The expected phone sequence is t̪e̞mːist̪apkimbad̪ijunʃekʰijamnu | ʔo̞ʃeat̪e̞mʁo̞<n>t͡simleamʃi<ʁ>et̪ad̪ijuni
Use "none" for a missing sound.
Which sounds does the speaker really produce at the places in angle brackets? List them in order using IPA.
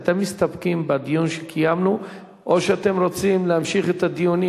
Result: none, χ

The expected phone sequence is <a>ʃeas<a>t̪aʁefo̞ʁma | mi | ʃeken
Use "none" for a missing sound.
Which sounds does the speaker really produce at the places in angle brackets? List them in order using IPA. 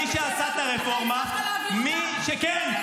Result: i, a

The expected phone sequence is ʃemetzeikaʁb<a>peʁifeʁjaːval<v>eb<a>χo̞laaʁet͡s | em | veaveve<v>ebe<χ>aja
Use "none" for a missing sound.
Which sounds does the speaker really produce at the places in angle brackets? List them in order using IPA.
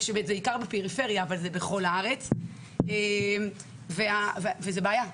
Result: e, z, e, z, none

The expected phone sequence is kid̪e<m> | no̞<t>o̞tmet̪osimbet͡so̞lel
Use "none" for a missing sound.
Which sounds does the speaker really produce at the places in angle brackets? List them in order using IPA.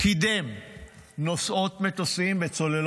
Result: m, s

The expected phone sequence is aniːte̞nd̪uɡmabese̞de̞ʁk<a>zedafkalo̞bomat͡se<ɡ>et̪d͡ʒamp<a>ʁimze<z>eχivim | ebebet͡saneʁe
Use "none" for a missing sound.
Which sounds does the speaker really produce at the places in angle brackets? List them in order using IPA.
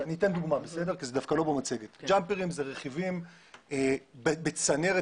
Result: i, ɡ, e, ʁ

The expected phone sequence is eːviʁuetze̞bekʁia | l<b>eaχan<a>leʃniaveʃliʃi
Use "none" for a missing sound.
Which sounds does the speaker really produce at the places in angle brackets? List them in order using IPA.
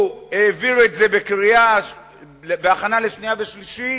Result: b, a

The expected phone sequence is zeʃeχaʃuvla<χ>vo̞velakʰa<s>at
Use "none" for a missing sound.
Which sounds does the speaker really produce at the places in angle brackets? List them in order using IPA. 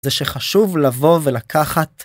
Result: none, χ

